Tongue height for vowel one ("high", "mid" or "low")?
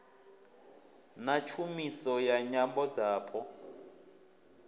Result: low